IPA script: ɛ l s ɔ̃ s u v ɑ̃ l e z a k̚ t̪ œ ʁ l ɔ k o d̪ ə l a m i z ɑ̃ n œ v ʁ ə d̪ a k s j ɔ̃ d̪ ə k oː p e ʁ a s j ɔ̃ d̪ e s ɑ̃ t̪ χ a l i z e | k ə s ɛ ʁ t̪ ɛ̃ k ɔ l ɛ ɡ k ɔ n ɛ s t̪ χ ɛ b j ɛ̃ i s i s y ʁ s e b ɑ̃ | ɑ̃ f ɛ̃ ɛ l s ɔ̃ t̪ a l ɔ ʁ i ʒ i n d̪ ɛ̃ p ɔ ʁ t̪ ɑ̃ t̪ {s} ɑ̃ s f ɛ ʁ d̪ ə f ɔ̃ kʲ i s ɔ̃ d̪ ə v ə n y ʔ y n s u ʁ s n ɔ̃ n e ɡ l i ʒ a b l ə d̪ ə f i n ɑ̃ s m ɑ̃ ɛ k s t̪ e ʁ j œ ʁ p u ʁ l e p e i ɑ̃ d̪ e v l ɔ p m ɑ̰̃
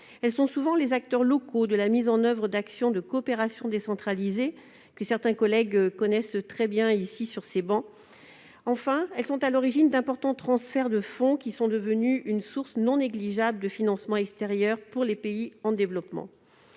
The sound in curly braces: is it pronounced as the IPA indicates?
no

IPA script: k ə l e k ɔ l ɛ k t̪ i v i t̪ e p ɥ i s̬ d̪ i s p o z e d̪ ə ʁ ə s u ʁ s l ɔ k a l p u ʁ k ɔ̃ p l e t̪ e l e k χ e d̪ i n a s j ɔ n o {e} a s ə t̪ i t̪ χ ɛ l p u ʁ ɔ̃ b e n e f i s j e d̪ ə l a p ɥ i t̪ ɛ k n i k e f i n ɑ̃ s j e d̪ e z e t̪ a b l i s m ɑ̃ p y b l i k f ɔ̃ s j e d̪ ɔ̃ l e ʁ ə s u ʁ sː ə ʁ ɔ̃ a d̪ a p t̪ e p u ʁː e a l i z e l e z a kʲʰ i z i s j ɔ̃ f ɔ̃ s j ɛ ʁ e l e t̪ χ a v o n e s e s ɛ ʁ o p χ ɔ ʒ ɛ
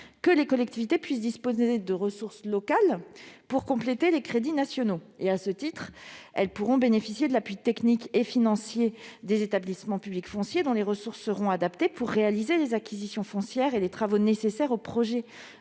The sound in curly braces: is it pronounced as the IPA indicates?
yes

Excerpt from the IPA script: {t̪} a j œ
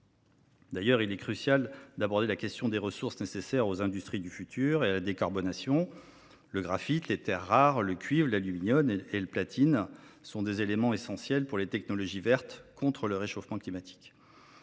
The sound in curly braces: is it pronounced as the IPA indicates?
no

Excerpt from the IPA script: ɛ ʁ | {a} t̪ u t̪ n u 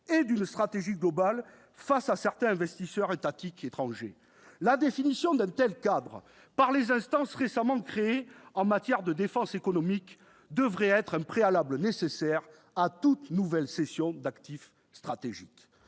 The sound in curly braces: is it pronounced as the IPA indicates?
yes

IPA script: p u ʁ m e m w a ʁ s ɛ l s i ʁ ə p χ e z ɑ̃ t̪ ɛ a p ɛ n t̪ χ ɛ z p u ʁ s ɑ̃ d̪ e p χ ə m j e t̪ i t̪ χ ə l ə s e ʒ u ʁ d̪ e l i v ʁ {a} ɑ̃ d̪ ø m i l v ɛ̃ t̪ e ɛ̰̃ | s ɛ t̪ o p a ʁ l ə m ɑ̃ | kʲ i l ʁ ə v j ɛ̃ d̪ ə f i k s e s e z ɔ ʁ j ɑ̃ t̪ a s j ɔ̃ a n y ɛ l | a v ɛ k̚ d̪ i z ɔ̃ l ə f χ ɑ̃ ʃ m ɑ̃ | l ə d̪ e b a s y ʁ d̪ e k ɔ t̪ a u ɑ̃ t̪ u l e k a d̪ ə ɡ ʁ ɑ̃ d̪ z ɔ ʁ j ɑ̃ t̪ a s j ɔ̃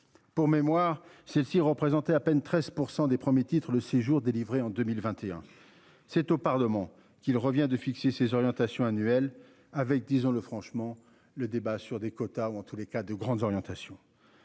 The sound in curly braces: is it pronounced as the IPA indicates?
no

